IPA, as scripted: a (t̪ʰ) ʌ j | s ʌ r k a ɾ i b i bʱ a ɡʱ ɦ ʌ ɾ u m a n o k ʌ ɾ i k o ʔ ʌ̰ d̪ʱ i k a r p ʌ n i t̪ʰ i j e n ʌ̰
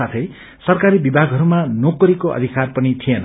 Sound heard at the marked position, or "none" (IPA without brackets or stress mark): t̪ʰ